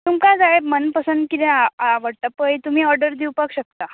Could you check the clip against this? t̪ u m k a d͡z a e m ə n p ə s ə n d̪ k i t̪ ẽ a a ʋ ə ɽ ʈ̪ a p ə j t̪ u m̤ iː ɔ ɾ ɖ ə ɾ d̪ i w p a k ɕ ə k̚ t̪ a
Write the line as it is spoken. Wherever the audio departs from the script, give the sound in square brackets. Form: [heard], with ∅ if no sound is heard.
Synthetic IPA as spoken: t̪ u m k a d͡z a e m ə n p ə s ə n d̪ k i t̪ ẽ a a ʋ ə ɽ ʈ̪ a p ə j t̪ u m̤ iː ɔ ɾ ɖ ə ɾ d̪ i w p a k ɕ ə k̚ t̪ a